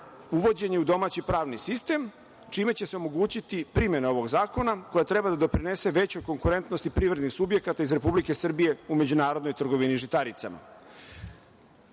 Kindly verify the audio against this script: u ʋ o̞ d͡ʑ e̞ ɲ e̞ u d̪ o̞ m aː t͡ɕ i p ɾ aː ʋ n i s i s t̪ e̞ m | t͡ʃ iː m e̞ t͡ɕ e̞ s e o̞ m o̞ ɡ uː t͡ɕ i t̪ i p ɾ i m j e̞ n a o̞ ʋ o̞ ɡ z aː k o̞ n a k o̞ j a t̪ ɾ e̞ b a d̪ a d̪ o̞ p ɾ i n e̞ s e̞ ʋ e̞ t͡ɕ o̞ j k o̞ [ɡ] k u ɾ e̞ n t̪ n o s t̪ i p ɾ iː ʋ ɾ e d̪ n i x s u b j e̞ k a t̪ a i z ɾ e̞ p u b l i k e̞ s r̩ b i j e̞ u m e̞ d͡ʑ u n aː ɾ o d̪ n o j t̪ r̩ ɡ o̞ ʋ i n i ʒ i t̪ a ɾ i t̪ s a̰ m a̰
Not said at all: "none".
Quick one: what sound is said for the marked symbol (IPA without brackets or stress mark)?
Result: ŋ